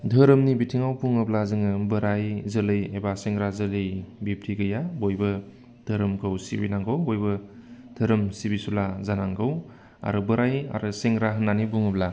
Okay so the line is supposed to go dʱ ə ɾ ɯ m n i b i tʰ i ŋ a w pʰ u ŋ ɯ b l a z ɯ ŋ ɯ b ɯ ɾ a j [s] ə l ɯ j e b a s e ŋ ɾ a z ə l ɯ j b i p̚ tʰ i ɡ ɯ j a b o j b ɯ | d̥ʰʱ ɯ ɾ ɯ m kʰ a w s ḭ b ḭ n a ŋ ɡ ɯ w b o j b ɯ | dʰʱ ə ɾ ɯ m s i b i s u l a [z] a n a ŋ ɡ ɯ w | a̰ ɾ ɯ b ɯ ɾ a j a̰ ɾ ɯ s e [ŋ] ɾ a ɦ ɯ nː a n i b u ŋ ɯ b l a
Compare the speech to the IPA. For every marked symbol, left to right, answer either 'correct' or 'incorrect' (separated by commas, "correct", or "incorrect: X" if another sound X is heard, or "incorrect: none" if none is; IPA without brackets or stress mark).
incorrect: z, correct, correct